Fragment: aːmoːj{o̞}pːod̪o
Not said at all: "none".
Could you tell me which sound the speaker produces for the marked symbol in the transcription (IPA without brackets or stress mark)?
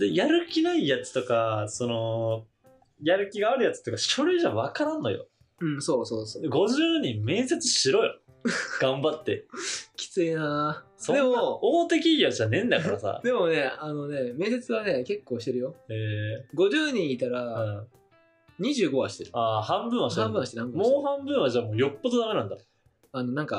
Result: o̞